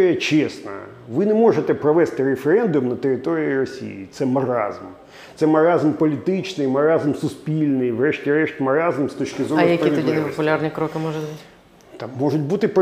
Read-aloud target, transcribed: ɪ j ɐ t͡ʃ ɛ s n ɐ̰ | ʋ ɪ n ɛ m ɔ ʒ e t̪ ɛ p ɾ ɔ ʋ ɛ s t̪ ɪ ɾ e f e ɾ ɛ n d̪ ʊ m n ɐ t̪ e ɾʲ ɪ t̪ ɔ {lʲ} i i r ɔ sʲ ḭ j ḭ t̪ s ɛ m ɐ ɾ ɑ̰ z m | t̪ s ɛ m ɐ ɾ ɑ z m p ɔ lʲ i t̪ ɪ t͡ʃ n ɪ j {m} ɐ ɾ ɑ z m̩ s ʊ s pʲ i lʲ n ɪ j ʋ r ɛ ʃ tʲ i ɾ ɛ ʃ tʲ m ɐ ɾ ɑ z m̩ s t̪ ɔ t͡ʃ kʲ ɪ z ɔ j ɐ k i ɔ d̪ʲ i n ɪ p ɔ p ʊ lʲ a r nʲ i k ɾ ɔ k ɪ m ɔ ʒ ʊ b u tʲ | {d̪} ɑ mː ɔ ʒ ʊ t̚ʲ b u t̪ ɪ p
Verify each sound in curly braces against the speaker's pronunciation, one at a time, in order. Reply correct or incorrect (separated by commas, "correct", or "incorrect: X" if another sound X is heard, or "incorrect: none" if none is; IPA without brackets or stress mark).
incorrect: ɾʲ, correct, incorrect: t̪